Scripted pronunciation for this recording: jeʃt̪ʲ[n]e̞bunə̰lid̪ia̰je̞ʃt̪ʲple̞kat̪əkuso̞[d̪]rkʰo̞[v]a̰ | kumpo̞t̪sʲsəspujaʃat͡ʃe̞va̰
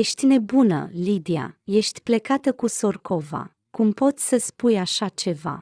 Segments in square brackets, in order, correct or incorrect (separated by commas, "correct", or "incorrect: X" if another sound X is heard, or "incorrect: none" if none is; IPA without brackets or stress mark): correct, incorrect: none, correct